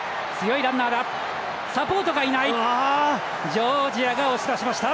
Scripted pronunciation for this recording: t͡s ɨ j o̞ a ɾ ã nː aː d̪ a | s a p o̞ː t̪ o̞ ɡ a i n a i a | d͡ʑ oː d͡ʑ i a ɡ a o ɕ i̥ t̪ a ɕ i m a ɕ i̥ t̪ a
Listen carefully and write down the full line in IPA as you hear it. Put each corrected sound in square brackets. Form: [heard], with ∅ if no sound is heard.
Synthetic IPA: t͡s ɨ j o̞ [i] ɾ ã nː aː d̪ a | s a p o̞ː t̪ o̞ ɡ a i n a i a | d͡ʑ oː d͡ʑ i a ɡ a o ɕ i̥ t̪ a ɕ i m a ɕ i̥ t̪ a